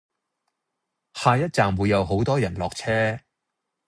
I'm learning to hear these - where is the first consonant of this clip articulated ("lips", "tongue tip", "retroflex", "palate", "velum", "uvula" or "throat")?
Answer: throat